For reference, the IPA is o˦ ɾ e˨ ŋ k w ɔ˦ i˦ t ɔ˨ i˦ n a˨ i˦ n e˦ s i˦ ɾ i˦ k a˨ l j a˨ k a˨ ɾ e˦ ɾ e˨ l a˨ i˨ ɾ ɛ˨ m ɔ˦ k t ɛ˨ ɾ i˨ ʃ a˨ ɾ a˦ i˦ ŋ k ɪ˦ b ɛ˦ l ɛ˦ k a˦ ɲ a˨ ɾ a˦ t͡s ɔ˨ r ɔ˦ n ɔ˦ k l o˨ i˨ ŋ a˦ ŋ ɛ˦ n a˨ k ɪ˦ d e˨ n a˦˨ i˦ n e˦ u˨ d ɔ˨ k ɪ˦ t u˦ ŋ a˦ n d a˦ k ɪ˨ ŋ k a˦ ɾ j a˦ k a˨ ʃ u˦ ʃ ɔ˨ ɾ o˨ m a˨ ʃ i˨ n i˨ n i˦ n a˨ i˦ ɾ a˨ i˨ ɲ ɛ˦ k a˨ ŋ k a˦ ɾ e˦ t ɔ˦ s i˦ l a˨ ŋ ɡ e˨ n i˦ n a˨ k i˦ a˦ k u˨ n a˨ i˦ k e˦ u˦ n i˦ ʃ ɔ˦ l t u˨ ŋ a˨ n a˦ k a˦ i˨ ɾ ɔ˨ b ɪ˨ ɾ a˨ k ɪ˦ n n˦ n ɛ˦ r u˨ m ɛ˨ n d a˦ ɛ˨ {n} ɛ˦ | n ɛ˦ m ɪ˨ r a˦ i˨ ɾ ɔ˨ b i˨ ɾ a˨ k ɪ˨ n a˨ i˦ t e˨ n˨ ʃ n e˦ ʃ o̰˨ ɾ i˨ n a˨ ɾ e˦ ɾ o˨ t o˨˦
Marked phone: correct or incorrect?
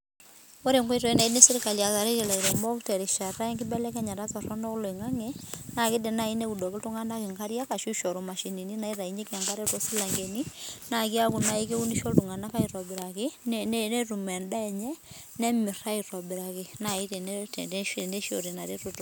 incorrect: ɲ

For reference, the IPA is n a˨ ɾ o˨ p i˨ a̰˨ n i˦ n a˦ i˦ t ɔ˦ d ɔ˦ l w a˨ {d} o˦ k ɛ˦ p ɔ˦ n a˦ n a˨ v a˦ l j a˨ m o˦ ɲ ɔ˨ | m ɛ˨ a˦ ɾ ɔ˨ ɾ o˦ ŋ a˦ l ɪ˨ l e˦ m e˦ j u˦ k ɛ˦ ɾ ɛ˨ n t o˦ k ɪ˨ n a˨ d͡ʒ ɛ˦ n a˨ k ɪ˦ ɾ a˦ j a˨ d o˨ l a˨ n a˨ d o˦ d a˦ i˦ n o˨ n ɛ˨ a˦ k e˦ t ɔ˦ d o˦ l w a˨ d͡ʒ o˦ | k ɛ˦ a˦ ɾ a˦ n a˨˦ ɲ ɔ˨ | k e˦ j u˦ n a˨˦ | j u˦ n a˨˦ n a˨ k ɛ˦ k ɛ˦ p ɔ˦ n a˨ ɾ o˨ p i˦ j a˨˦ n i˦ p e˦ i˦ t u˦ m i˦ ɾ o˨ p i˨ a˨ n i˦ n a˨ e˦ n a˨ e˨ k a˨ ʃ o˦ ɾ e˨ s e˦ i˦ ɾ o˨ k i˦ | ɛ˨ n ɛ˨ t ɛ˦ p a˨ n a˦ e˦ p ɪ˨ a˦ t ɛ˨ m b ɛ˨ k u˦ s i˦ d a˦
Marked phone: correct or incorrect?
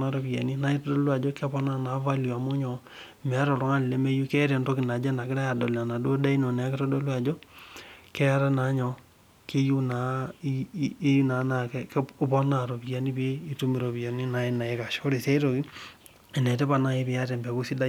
incorrect: d͡ʒ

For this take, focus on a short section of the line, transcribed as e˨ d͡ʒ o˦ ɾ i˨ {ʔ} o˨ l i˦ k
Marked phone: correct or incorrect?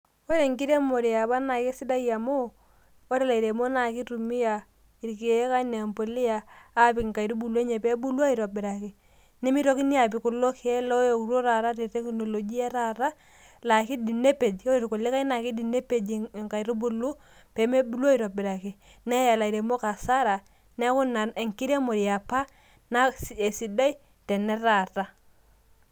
incorrect: k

